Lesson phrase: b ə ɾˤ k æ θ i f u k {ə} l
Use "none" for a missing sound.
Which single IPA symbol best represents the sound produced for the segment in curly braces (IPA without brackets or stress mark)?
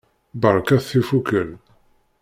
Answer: ə